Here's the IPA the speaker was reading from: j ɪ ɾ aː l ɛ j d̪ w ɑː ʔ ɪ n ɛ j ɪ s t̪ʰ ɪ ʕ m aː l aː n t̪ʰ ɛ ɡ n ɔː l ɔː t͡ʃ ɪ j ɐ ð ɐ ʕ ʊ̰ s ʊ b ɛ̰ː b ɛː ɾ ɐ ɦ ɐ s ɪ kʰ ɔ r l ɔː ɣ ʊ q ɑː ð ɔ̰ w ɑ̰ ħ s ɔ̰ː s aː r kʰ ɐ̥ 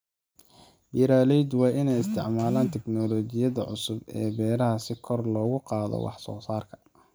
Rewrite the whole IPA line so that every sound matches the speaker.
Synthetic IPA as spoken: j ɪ ɾ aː l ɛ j d̪ w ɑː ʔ ɪ n ɛ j ɪ s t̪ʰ ɪ ʕ m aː l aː n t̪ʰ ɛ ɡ n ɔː l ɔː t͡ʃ ɪ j ɐ ð ɐ ʕ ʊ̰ s ʊ b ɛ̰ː b ɛː ɾ ɐ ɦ ɐ s ɪ kʰ ɔ r l ɔː ɣ ʊ q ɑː ð ɔ̰ w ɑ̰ ħ s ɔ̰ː s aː r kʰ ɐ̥

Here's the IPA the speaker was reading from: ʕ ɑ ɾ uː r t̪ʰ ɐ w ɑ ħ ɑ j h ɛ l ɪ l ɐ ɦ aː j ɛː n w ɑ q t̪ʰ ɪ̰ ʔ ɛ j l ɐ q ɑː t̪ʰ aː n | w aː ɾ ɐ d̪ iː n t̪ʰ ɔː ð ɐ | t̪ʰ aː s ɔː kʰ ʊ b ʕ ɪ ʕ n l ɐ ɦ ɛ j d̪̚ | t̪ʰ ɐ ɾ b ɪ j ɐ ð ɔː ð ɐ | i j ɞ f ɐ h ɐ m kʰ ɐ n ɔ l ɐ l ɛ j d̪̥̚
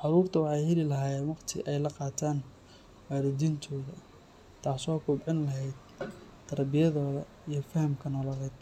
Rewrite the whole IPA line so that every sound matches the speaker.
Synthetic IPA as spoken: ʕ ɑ ɾ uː r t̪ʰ ɐ w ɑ ħ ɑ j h ɛ l ɪ l ɐ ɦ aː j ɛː n w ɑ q t̪ʰ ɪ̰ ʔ ɛ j l ɐ q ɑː t̪ʰ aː n | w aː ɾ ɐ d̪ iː n t̪ʰ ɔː ð ɐ | t̪ʰ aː s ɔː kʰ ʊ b ʕ ɪ n l ɐ ɦ ɛ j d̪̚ | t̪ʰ ɐ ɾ b ɪ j ɐ ð ɔː ð ɐ | i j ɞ f ɐ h ɐ m kʰ ɐ n ɔ l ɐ l ɛ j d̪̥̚

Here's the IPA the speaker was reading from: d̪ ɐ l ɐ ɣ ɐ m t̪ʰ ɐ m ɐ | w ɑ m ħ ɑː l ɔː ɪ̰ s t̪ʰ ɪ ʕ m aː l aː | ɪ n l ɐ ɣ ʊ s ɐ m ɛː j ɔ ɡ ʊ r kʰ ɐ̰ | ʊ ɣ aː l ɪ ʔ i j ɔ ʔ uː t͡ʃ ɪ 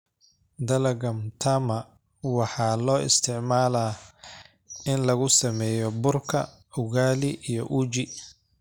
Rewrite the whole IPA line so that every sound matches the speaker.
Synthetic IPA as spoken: d̪ ɐ l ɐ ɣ ɐ m t̪ʰ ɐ m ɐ | w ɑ ħ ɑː l ɔː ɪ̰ s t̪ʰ ɪ ʕ m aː l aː | ɪ n l ɐ ɣ ʊ s ɐ m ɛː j ɔ b ʊ r kʰ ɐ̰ | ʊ ɣ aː l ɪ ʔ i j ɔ ʔ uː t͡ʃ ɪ

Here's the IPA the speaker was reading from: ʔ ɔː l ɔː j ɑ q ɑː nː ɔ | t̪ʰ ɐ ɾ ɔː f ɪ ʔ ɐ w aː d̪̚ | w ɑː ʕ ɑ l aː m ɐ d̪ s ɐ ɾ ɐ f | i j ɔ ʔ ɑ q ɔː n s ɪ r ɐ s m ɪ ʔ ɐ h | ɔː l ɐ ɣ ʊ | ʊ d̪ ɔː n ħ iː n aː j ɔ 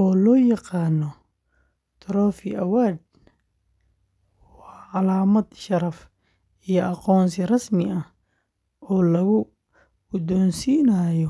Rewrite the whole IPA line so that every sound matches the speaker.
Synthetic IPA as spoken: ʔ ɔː l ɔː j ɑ q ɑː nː ɔ | t̪ʰ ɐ ɾ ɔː f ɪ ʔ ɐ w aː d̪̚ | w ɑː ʕ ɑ l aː m ɐ d̪ ʃ ɐ ɾ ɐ f | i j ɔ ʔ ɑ q ɔː n s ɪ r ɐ s m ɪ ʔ ɐ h | ɔː l ɐ ɣ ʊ | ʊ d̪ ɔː n s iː n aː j ɔ

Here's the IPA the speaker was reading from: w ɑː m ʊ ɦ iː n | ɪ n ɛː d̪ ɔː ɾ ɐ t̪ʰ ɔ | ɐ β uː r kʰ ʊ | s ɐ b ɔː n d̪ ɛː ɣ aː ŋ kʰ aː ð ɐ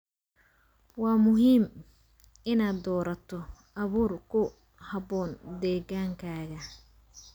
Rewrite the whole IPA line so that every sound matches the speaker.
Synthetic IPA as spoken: w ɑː m ʊ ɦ iː m | ɪ n aː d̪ ɔː ɾ ɐ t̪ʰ ɔ | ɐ β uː r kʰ ʊ | h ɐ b ɔː n d̪ ɛː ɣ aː ŋ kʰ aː ɣ ɐ

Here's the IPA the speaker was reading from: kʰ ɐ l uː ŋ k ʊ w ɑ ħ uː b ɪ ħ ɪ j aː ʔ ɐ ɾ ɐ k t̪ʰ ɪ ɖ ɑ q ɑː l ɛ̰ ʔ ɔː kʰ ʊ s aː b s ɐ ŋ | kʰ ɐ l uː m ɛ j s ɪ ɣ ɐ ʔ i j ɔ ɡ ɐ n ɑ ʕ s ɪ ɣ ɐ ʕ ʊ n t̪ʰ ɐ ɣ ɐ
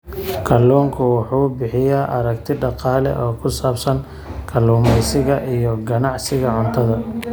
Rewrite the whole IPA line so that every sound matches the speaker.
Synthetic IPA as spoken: kʰ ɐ l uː ŋ kʰ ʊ w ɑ ħ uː b ɪ ħ ɪ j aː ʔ ɐ ɾ ɐ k t̪ʰ ɪ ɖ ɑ q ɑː l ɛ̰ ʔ ɔː kʰ ʊ s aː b s ɐ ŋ | kʰ ɐ l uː m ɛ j s ɪ ɣ ɐ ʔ i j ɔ ɡ ɐ n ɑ ʕ s ɪ ɣ ɐ ʕ ʊ n t̪ʰ ɐ ð ɐ

